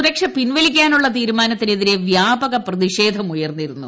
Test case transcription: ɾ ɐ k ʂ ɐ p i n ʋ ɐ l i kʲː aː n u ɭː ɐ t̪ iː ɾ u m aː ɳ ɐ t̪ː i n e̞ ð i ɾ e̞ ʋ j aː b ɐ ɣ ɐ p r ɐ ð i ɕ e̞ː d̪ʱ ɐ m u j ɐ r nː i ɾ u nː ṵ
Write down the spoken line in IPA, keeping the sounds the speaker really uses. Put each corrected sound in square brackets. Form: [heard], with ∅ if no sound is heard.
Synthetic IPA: ɾ ɐ k ʂ ɐ p i n ʋ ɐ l i kʲː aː n u ɭː ɐ t̪ iː ɾ u m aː [n] ɐ t̪ː i n e̞ ð i ɾ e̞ ʋ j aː b ɐ ɣ ɐ p r ɐ ð i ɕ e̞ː d̪ʱ ɐ m u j ɐ r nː i ɾ u nː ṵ